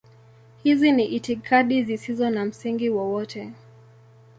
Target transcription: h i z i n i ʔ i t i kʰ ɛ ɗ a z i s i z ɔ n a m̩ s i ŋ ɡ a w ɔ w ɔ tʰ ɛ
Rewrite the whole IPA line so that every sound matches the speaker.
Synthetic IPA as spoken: h i z i n i ʔ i t i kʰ a ɗ i z i s i z ɔ n a m̩ s i ŋ ɡ i w ɔ w ɔ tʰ ɛ

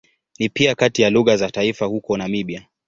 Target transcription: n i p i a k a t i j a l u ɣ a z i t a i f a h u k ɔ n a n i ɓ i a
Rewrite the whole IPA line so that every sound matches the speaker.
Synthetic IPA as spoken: n i p i a k a t i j a l u ɣ a z a t a i f a h u k ɔ n a m i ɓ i a

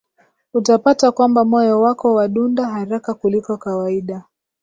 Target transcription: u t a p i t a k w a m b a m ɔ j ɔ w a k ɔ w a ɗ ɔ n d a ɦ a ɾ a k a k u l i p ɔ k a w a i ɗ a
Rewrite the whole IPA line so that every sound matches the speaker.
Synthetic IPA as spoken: u t a p a t a k w a m b a m ɔ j ɔ w a k ɔ w a ɗ u n d a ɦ a ɾ a k a k u l i k ɔ k a w a i ɗ a

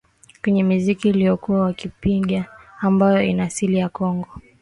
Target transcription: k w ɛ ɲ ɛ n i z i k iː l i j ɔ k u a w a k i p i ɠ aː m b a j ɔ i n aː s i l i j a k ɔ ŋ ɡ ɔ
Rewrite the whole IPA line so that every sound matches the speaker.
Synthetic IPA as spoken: k w ɛ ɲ ɛ m i z i k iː l i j ɔ k u a w a k i p i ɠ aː m b a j ɔ i n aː s i l i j a k ɔ ŋ ɡ ɔ

